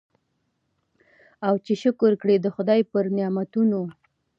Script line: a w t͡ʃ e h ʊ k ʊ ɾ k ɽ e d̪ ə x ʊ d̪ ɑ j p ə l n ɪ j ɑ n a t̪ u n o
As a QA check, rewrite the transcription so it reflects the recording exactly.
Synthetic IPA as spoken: a w t͡ʃ e ʃ ʊ k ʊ ɾ k ɽ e d̪ ə x ʊ d̪ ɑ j p ə ɾ n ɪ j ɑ m a t̪ u n o